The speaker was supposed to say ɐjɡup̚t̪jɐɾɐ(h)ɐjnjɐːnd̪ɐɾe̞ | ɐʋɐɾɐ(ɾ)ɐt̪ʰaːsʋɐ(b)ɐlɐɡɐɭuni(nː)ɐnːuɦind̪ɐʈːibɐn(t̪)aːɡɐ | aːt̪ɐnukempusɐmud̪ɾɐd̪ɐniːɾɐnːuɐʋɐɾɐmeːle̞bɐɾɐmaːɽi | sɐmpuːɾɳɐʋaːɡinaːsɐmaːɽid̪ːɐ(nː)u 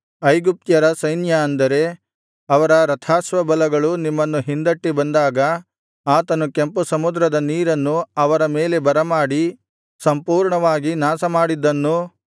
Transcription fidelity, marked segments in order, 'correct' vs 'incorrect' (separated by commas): incorrect, correct, correct, incorrect, incorrect, correct